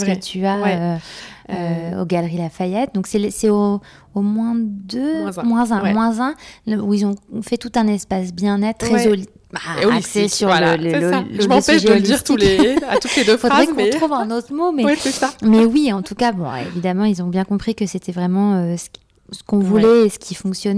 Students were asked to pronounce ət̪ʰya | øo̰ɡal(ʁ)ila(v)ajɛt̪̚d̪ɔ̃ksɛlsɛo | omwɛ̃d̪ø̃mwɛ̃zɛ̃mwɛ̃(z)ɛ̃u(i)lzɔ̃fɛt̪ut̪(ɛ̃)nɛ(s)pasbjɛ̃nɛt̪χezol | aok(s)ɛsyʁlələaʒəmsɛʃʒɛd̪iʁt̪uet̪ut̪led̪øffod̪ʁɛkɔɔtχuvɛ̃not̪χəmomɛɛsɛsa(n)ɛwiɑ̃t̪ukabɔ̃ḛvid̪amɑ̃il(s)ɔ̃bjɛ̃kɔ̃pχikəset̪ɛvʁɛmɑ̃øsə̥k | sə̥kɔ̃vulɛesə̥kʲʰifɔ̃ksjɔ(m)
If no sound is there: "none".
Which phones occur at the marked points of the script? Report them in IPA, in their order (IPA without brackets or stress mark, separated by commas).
ʁ, f, z, i, ɛ̃, s, s, m, z, n